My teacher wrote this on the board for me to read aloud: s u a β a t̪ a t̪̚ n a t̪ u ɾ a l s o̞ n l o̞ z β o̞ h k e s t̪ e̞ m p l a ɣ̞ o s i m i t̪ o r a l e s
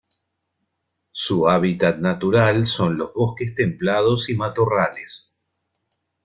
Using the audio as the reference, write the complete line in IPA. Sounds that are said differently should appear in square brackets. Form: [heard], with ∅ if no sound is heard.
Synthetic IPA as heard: s u a β [i] t̪ a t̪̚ n a t̪ u ɾ a l s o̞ n l o̞ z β o̞ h k e s t̪ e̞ m p l a [ð̞] o s i m [a] t̪ o r a l e s